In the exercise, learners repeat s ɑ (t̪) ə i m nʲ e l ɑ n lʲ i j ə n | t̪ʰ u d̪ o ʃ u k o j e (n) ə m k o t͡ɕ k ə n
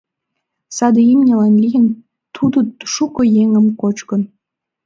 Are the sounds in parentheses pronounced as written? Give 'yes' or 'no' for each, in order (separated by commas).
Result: no, no